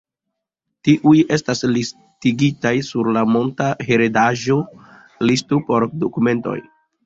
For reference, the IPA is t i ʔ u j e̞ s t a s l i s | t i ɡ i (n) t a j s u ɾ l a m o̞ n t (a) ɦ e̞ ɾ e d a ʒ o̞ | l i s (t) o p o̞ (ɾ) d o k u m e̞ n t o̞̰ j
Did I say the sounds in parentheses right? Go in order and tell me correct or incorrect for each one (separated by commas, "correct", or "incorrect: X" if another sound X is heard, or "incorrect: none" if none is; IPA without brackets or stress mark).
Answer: incorrect: none, correct, correct, correct